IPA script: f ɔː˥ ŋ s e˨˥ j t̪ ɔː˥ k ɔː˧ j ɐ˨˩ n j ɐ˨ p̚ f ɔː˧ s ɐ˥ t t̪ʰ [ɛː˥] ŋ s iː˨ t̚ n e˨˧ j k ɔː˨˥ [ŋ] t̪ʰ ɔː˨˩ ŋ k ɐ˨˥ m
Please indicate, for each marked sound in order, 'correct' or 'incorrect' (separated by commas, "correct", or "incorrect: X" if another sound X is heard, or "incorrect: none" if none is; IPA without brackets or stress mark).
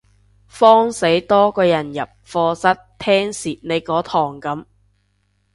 correct, incorrect: none